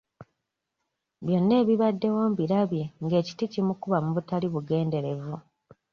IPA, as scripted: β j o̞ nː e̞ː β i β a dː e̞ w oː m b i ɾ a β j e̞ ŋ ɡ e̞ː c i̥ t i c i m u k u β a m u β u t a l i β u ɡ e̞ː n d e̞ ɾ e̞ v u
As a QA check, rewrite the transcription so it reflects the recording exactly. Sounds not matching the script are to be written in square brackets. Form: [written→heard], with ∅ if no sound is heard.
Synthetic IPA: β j o̞ nː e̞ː β i β a dː e̞ w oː m b i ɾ a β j e̞ ŋ ɡ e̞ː c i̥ t i c i m u k u β a m u β u t a l i β u ɡ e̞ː n d e̞ ɾ e̞ v u